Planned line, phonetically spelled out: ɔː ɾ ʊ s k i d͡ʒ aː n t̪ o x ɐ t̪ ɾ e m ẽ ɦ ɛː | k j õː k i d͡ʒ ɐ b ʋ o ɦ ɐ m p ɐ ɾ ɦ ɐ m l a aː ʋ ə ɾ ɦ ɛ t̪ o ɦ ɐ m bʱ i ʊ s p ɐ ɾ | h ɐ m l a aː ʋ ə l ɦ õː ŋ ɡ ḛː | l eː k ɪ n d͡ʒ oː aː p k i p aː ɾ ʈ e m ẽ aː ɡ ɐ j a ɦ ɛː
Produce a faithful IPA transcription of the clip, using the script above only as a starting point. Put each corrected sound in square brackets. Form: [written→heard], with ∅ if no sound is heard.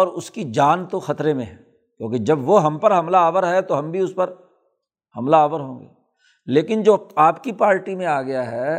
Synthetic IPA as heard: ɔː ɾ ʊ s k i d͡ʒ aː n t̪ o x ɐ t̪ ɾ e m ẽ ɦ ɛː | k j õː k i d͡ʒ ɐ b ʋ o ɦ ɐ m p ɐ ɾ ɦ ɐ m l a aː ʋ ə ɾ ɦ ɛ t̪ o ɦ ɐ m bʱ i ʊ s p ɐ ɾ | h ɐ m l a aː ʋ ə [l→ɾ] ɦ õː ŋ ɡ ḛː | l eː k ɪ n d͡ʒ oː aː p k i p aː ɾ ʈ [e→i] m ẽ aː ɡ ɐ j a ɦ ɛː